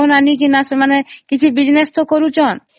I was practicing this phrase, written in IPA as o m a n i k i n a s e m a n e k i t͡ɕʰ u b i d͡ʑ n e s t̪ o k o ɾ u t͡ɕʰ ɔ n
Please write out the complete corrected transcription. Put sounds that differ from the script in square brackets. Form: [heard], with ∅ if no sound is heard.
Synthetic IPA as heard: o [n] a n i k i n a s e m a n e k i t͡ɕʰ u b i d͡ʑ n e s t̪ o k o ɾ u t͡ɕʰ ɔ n